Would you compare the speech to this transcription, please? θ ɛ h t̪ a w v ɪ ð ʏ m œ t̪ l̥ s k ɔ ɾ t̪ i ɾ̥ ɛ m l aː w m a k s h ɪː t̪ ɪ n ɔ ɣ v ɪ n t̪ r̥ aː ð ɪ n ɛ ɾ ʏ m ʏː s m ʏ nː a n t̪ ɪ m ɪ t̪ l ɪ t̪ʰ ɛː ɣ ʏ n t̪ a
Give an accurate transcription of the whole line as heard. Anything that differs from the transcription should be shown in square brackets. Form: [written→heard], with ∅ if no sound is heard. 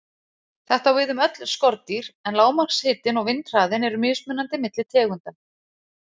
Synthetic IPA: θ ɛ h t̪ a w v ɪ ð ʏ m œ t̪ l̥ s k ɔ ɾ t̪ i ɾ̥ ɛ [m→n] l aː w m a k s h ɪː t̪ ɪ n ɔ ɣ v ɪ n t̪ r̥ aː ð ɪ n ɛ ɾ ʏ m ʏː s m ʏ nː a n t̪ ɪ m ɪ t̪ l ɪ t̪ʰ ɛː ɣ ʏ n t̪ a